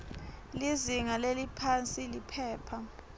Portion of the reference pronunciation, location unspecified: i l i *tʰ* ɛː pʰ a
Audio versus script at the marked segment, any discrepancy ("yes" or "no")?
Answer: yes